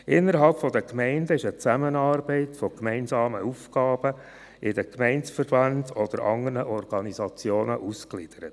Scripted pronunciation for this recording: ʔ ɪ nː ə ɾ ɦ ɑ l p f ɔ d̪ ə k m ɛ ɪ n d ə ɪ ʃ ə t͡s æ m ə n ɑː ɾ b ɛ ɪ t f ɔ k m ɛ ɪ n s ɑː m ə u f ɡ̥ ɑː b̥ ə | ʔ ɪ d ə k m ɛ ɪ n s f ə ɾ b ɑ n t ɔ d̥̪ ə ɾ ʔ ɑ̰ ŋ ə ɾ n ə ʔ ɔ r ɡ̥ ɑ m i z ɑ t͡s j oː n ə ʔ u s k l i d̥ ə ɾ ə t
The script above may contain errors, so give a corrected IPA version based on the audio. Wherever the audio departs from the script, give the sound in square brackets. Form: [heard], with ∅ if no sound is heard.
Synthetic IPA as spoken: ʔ ɪ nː ə ɾ ɦ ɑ l p f ɔ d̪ ə k m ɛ ɪ n d ə ɪ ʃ ə t͡s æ m ə n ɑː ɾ b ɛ ɪ t f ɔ k m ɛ ɪ n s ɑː m ə u f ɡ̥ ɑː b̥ ə | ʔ ɪ d ə k m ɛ ɪ n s f ə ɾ b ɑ n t ɔ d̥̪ ə ɾ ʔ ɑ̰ ŋ ə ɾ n ə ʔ ɔ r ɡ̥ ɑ [n] i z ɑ t͡s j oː n ə ʔ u s k l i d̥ ə ɾ ə t